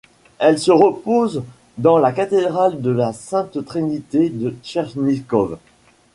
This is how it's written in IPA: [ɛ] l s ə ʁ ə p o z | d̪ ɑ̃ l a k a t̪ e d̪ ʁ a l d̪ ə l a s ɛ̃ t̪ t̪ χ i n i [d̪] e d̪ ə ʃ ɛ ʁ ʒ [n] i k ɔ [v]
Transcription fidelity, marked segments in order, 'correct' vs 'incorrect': correct, incorrect: t̪, correct, correct

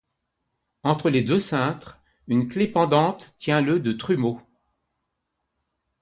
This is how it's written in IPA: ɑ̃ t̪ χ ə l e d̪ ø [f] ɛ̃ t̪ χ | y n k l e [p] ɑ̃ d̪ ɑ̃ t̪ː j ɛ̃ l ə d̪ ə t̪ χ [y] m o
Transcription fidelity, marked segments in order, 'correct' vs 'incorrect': incorrect: s, correct, correct

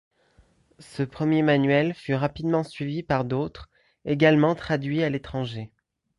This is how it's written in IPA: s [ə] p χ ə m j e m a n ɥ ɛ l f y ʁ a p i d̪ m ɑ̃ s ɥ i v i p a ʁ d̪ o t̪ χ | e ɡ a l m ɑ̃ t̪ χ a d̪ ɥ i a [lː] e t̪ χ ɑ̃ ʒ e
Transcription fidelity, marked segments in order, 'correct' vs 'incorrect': correct, incorrect: l

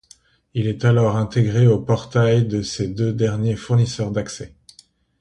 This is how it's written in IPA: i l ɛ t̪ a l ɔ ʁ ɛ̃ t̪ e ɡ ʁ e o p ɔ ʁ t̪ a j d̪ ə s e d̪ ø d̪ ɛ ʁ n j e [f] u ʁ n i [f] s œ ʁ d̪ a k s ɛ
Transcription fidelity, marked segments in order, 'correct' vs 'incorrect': correct, incorrect: none

